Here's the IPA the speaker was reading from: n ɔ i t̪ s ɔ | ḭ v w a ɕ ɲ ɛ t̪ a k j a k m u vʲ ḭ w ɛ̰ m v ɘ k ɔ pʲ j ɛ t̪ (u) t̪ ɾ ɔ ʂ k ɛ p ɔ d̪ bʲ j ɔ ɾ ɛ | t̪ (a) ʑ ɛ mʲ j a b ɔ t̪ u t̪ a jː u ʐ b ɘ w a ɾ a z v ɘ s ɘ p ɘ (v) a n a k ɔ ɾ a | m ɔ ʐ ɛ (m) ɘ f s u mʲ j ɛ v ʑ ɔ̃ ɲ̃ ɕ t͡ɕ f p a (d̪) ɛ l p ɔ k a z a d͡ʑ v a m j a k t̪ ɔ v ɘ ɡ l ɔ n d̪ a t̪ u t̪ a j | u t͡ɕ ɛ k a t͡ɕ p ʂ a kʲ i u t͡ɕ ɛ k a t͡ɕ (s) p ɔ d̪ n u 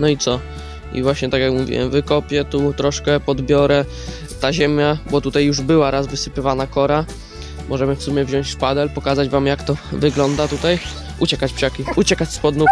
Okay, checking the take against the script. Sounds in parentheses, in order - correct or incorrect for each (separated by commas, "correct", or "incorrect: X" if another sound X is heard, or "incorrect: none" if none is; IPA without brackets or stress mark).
correct, correct, correct, correct, correct, correct